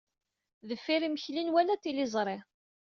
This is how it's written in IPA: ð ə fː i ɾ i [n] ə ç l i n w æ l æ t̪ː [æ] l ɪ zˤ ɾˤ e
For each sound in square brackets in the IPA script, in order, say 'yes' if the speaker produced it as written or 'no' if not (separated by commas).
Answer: no, no